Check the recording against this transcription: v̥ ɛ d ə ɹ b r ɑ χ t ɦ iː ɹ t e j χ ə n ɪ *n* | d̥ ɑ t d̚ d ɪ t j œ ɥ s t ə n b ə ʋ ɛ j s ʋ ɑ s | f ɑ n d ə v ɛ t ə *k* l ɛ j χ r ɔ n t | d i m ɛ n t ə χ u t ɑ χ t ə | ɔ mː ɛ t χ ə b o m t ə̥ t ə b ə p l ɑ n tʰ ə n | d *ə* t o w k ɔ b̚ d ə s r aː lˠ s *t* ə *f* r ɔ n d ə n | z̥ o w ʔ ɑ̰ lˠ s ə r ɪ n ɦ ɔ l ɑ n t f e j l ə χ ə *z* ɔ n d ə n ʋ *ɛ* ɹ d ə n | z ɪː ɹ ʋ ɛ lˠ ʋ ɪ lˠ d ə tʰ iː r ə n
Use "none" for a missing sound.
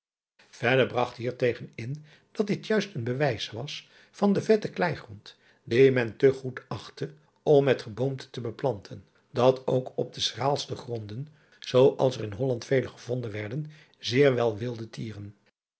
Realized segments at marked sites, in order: n, k, ɑ, t, χ, v, ɛ

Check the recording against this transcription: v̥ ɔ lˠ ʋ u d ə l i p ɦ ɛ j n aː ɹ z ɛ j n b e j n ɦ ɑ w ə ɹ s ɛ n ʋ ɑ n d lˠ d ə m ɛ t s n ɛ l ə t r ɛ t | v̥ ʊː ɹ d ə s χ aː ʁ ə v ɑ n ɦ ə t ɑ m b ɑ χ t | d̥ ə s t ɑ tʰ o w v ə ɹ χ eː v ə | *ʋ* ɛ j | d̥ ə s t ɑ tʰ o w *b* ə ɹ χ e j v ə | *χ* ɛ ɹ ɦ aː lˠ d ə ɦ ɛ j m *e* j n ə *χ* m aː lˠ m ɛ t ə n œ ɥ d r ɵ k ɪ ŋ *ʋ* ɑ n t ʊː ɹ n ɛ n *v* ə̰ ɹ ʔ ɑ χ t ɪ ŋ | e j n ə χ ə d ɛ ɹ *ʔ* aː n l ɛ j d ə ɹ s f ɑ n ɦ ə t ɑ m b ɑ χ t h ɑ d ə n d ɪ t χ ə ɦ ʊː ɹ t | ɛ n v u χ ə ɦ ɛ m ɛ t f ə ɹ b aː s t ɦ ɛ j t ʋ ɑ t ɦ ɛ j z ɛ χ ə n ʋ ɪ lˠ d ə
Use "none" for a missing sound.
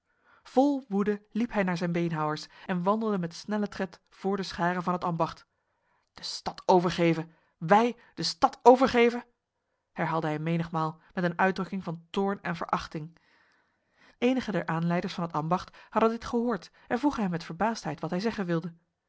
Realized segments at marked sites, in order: ʋ, v, h, e, χ, v, v, ʔ

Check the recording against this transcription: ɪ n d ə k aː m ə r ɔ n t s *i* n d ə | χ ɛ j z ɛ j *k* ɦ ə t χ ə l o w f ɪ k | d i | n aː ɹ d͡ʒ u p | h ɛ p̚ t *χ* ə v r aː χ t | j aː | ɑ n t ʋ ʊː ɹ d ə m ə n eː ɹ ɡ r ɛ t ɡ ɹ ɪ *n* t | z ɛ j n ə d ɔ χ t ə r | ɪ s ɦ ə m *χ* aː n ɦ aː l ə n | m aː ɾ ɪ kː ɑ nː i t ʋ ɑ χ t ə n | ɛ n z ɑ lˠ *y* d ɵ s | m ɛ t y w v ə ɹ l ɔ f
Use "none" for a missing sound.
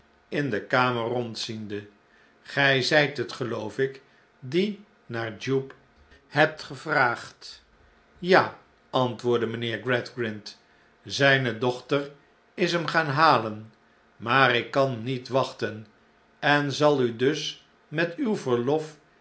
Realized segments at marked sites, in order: i, t, χ, n, χ, y

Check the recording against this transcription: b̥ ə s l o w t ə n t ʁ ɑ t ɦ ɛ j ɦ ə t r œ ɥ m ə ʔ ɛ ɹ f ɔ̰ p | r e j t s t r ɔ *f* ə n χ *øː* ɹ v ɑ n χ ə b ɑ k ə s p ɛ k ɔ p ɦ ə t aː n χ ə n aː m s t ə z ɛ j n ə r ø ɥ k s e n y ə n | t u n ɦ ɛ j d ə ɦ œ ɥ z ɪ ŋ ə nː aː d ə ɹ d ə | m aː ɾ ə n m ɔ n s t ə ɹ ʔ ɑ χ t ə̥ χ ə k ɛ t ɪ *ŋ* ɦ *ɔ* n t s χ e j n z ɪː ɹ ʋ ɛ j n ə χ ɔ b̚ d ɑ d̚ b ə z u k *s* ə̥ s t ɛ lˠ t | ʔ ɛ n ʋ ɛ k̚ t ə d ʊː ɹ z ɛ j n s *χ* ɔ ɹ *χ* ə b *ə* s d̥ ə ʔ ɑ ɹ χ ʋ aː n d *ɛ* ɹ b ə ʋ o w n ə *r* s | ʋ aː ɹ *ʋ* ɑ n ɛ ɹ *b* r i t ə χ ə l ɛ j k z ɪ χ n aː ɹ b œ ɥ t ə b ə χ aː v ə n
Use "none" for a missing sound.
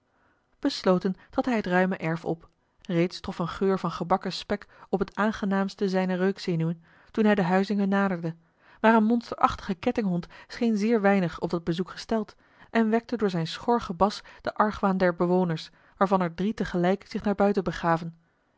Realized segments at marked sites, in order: f, øː, ŋ, ɔ, χ, χ, χ, ɑ, ɛ, ɹ, v, d

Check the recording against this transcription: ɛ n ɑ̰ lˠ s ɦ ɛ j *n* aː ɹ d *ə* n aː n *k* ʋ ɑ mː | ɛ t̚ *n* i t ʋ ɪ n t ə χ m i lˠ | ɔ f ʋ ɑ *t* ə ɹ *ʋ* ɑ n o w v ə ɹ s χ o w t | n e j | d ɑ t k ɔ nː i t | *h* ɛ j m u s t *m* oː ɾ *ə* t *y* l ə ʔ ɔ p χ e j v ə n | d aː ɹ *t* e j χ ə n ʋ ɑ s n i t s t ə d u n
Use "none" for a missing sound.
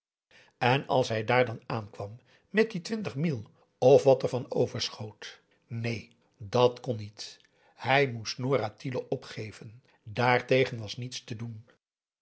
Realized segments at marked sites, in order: d, ɑ, k, d, t, v, h, n, a, i, t

